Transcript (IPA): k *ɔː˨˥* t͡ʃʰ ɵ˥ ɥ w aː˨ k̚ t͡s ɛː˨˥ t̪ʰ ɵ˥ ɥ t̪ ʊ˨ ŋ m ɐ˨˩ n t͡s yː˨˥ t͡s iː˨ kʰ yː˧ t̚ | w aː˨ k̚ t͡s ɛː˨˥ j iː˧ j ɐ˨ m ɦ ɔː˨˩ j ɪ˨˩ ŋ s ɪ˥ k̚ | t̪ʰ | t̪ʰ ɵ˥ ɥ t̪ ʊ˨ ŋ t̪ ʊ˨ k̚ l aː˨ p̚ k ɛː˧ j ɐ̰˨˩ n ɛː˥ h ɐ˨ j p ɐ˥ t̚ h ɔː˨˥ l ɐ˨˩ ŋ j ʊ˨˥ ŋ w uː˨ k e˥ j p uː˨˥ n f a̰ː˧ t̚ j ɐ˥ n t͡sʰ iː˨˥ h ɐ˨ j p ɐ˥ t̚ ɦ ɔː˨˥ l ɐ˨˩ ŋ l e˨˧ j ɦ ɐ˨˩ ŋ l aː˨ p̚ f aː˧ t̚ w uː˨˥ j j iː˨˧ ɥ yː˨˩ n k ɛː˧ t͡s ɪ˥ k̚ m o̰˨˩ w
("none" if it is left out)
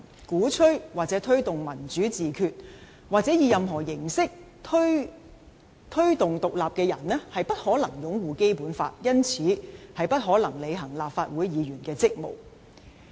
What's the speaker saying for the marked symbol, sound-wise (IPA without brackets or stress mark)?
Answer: uː˨˥